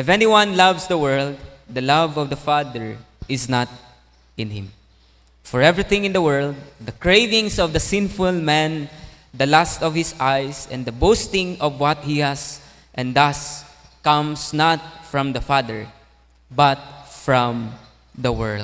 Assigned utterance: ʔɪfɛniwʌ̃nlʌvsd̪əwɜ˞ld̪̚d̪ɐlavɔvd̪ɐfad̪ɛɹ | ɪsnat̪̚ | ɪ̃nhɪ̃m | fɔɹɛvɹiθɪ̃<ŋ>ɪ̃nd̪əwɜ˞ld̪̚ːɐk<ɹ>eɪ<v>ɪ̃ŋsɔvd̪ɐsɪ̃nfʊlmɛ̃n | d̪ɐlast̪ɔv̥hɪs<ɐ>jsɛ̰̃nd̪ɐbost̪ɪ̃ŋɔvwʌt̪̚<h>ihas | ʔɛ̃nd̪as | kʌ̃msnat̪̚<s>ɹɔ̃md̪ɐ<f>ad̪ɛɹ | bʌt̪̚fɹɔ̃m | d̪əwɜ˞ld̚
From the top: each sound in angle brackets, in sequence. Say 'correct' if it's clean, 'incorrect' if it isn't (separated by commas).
correct, correct, correct, incorrect, correct, incorrect, correct